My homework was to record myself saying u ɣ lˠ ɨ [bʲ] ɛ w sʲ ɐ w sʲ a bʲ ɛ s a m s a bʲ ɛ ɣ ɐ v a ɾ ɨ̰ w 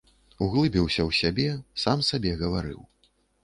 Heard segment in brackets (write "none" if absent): bʲ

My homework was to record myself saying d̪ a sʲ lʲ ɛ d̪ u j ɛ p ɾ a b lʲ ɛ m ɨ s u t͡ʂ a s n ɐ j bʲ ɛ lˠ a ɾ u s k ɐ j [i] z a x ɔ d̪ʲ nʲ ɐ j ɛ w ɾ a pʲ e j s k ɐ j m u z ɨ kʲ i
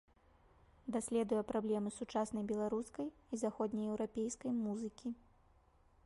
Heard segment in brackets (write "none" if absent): i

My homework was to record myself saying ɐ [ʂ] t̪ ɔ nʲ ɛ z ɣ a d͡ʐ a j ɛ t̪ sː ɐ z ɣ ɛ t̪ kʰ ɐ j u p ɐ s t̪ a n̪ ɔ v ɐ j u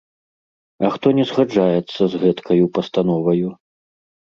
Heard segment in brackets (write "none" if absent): x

